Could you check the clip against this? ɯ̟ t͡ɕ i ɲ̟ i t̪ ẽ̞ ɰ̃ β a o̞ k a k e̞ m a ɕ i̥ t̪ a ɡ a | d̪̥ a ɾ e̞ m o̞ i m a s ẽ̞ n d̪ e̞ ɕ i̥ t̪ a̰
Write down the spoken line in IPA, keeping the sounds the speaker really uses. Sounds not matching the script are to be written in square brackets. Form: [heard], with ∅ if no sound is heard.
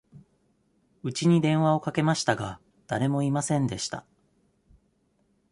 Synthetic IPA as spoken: ɯ̟ t͡ɕ i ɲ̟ i [d̪] ẽ̞ ɰ̃ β a o̞ k a k e̞ m a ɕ i̥ t̪ a ɡ a | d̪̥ a ɾ e̞ m o̞ i m a s ẽ̞ n d̪ e̞ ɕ i̥ t̪ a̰